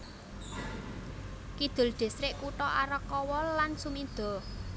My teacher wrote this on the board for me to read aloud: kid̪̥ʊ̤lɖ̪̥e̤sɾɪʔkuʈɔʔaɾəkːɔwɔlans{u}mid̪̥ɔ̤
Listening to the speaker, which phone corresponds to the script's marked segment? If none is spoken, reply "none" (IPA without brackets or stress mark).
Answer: u